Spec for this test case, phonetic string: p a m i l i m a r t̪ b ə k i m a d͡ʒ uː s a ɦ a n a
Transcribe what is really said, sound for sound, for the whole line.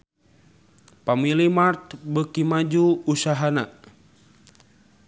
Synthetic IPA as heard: p a m i l i m a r t̪ b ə k i m a d͡ʒ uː s a ɦ a n a